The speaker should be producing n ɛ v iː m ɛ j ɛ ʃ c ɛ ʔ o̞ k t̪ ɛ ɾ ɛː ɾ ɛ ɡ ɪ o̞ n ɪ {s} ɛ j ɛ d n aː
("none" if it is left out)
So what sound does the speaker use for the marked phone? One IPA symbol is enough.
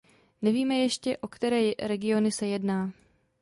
s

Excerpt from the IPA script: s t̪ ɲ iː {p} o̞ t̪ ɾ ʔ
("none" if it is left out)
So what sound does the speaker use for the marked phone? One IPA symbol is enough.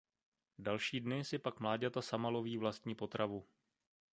p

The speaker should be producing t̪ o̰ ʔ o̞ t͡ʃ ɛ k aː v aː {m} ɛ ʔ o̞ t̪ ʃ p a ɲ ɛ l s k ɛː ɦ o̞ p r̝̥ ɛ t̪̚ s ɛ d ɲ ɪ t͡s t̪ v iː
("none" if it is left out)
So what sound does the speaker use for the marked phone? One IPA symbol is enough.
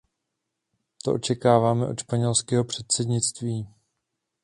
m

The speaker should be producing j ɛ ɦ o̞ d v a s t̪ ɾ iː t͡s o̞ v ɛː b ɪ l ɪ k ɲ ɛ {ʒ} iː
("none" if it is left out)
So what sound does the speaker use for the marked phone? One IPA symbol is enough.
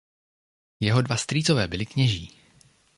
ʒ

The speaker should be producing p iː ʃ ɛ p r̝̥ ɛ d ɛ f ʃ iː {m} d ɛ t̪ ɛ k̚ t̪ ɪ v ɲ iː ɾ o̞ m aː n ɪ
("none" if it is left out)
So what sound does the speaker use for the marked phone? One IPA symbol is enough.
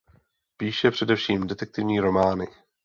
m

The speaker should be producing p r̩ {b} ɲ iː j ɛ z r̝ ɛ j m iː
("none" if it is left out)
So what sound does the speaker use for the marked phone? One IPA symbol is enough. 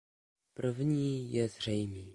v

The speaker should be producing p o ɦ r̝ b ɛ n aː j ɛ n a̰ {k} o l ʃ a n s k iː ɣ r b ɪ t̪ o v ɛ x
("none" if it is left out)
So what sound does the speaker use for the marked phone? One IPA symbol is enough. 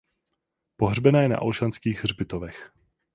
ʔ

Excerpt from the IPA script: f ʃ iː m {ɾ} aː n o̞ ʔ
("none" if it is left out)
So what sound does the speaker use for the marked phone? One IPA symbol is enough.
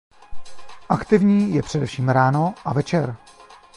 ɾ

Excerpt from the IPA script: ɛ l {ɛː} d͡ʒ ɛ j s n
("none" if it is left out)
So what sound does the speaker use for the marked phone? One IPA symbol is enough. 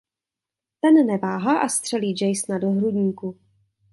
iː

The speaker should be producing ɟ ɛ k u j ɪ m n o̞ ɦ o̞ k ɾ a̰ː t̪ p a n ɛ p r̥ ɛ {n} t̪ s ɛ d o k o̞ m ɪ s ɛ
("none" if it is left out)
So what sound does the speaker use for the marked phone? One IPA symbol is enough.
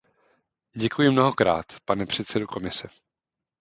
none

